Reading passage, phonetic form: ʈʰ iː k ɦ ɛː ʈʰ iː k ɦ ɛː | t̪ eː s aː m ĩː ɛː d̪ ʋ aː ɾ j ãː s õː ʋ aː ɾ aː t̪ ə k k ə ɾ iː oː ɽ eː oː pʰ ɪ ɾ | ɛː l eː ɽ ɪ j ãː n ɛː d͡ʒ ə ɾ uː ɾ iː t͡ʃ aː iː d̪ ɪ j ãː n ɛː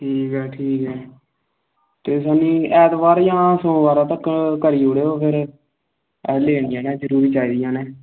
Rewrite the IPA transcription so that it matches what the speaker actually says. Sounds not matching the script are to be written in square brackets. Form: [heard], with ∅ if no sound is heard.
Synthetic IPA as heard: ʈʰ iː k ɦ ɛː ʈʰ iː k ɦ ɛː | t̪ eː s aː [n] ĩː ɛː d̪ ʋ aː ɾ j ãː s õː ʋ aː ɾ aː t̪ ə k k ə ɾ iː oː ɽ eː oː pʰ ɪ ɾ | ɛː l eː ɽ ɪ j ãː n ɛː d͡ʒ ə ɾ uː ɾ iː t͡ʃ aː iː d̪ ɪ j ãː n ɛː